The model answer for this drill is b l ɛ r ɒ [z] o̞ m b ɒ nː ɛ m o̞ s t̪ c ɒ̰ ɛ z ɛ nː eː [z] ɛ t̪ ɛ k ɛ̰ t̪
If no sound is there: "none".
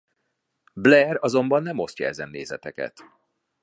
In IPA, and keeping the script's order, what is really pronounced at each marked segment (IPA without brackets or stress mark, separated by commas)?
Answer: z, z